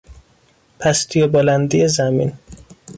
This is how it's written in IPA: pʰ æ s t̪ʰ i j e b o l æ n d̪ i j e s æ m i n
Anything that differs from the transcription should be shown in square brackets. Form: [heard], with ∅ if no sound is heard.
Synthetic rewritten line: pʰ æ s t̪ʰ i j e b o l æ n d̪ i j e [z] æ m i n

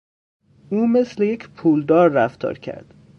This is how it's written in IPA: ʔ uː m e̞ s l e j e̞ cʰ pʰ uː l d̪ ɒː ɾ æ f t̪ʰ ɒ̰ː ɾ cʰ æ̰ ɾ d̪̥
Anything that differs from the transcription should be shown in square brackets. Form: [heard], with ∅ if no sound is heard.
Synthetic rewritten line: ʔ uː m e̞ s l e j e̞ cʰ pʰ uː l d̪ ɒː [ɾː] æ f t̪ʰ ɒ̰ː ɾ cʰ æ̰ ɾ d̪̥

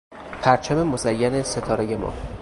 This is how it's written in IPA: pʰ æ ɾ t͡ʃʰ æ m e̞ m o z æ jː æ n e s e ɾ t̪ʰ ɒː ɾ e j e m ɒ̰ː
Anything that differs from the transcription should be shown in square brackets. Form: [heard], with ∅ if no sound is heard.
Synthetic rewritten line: pʰ æ ɾ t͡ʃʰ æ m e̞ m o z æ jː æ n e s e [∅] t̪ʰ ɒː ɾ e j e m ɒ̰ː

